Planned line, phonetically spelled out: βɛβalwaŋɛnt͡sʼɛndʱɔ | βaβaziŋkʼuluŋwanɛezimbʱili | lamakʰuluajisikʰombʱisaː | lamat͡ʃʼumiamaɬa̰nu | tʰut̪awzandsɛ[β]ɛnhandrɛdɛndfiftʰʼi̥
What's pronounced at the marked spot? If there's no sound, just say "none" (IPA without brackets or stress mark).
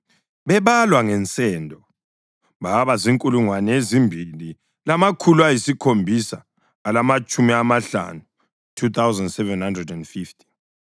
v